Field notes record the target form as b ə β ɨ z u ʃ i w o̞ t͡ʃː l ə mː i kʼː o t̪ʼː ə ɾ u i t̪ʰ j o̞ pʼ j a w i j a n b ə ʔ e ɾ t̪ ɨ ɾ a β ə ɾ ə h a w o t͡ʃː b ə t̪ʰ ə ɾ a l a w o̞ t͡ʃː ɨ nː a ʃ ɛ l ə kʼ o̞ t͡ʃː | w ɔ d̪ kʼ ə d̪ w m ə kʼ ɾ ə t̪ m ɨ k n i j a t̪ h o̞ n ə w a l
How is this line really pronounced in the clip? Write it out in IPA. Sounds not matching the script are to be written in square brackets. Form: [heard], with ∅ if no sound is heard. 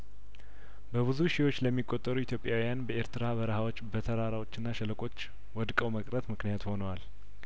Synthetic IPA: b ə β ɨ z u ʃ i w o̞ t͡ʃː l ə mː i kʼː o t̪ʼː ə ɾ u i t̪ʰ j o̞ pʼ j a w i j a n b ə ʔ e ɾ t̪ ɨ ɾ a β ə ɾ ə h a w o t͡ʃː b ə t̪ʰ ə ɾ a [ɾ] a w o̞ t͡ʃː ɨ nː a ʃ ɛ l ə kʼ o̞ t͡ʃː | w ɔ d̪ kʼ ə [∅] w m ə kʼ ɾ ə t̪ m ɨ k n i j a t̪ h o̞ n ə w a l